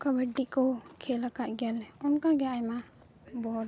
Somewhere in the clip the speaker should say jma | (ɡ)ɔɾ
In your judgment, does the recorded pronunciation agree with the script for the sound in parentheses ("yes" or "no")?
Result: no